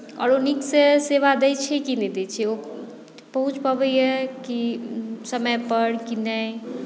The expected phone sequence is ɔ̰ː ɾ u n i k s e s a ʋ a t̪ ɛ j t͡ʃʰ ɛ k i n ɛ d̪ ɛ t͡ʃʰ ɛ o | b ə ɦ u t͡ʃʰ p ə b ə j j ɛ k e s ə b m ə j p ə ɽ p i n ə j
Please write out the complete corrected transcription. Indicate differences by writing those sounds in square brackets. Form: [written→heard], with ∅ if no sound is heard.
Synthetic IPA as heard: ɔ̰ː ɾ [u→o] n i k s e s [a→e] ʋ a [t̪→d̪] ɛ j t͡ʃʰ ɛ k i n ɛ d̪ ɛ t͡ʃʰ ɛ o | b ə ɦ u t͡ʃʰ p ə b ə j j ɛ k [e→i] s ə [b→∅] m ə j p ə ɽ [p→k] i n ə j